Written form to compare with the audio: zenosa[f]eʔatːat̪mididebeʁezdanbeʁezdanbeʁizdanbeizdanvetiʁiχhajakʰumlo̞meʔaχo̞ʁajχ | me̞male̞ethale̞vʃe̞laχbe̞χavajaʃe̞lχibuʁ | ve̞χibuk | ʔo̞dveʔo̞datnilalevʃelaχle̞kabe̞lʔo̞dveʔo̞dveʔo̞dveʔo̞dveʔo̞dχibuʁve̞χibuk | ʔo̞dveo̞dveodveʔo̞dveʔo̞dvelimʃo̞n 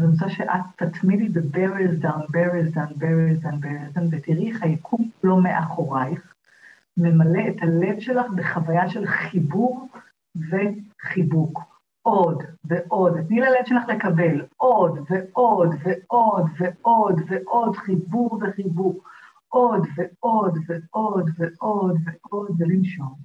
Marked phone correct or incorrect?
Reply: incorrect